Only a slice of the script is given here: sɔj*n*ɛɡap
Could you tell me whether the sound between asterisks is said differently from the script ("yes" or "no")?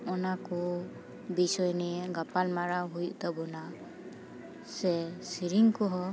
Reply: no